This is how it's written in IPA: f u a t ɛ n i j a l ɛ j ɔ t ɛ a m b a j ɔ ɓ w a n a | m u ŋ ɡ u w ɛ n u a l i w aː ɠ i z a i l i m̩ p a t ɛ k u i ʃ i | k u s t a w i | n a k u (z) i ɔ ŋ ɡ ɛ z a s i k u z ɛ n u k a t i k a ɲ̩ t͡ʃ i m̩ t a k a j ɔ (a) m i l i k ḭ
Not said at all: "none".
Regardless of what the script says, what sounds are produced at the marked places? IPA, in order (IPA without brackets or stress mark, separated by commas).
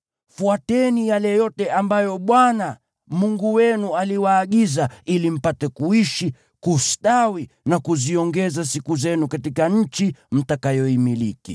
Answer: z, i